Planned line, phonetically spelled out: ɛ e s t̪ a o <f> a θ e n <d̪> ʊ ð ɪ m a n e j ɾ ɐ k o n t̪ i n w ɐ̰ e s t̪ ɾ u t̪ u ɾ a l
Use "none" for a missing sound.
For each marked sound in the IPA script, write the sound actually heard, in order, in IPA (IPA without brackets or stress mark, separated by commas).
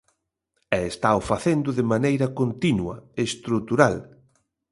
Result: f, d̪